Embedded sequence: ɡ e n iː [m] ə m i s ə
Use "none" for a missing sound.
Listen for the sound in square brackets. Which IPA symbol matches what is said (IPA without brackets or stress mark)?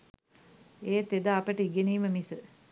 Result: m